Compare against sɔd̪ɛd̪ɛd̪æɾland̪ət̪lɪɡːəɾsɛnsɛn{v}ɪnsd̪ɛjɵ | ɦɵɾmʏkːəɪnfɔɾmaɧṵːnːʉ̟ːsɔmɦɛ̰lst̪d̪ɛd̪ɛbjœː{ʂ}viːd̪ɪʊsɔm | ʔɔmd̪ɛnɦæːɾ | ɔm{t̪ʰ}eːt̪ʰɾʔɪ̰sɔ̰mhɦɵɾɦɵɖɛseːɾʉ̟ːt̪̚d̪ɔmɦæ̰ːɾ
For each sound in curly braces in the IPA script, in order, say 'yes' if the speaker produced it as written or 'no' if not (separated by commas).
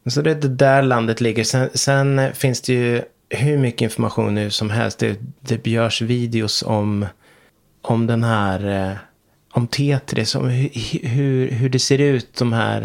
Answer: no, yes, yes